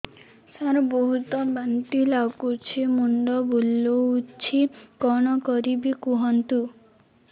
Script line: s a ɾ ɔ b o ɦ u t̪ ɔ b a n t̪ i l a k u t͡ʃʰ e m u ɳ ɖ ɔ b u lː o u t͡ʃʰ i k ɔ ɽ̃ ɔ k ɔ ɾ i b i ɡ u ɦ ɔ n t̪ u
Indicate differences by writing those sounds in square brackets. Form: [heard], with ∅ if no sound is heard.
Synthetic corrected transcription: s a ɾ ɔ b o ɦ u t̪ ɔ b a n t̪ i l a k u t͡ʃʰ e m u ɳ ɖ ɔ b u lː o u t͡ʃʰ i k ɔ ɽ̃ ɔ k ɔ ɾ i b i [k] u ɦ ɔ n t̪ u